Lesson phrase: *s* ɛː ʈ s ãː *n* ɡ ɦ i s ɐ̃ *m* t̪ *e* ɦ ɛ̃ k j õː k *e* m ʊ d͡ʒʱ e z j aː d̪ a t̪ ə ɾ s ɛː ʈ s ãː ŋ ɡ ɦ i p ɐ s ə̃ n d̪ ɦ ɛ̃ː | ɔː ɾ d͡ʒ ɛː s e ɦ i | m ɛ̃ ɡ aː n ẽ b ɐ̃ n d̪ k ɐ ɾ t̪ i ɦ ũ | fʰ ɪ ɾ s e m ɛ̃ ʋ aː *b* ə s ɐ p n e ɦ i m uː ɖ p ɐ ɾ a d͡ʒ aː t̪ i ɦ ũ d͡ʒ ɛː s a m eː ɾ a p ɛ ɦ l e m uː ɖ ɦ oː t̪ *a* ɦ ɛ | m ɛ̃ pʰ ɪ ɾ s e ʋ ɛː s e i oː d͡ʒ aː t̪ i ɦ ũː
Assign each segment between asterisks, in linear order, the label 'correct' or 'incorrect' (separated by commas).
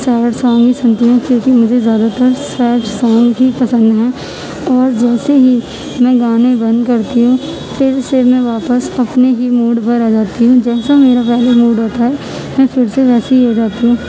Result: correct, incorrect, incorrect, incorrect, incorrect, incorrect, correct